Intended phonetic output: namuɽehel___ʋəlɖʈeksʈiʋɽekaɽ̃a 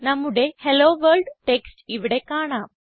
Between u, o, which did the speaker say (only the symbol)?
o